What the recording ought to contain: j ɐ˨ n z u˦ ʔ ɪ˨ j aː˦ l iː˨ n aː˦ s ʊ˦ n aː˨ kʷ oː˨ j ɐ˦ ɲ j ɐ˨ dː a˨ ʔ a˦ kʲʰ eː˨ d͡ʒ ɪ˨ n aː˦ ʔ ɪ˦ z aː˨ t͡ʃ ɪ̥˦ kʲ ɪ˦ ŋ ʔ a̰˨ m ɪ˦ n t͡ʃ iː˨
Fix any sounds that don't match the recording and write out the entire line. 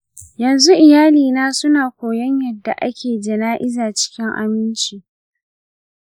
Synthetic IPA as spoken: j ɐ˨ n z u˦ ʔ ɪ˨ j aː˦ l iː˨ n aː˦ s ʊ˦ n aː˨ kʷ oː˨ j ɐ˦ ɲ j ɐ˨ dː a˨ ʔ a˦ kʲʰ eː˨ d͡ʒ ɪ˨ n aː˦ ʔ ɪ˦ z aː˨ t͡ʃ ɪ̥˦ kʲ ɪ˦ ŋ ʔ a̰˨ m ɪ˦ n t͡ʃ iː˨